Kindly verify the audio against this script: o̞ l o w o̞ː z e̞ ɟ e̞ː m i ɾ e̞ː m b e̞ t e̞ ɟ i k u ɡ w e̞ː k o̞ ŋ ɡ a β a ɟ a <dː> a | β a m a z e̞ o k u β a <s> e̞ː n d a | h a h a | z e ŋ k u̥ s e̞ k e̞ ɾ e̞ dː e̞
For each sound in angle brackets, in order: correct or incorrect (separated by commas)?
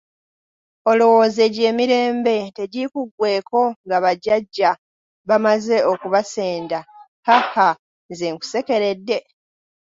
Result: incorrect, correct